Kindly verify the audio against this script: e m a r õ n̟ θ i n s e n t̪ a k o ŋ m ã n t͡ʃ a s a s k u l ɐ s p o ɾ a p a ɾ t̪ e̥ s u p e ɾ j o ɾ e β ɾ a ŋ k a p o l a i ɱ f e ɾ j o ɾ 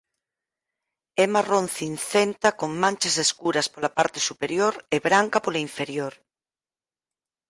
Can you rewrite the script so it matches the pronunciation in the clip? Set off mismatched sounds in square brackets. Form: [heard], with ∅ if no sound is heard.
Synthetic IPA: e m a r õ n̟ θ i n [θ] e n t̪ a k o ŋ m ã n t͡ʃ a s [e] s k u [ɾ] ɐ s p o [l] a p a ɾ t̪ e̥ s u p e ɾ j o ɾ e β ɾ a ŋ k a p o l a i ɱ f e ɾ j o ɾ